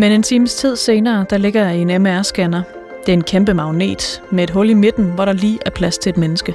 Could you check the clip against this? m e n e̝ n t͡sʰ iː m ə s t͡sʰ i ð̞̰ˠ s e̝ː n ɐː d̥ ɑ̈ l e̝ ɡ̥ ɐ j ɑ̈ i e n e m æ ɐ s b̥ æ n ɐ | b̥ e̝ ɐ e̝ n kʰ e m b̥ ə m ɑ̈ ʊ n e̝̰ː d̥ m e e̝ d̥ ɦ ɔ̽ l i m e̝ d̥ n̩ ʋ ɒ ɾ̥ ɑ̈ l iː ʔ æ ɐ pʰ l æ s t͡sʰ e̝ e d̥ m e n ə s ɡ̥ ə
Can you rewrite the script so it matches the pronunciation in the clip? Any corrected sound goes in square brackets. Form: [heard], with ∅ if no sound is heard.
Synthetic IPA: m e n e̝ n t͡sʰ iː m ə s t͡sʰ i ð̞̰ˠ s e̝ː n ɐː d̥ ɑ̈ l e̝ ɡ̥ ɐ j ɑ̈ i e n e m æ ɐ s [ɡ̥] æ n ɐ | [d̥] e̝ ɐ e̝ n kʰ e m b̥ ə m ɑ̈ ʊ n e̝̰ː d̥ m e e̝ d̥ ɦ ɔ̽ l i m e̝ d̥ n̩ ʋ ɒ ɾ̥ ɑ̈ l iː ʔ æ ɐ pʰ l æ s t͡sʰ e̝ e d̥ m e n ə s ɡ̥ ə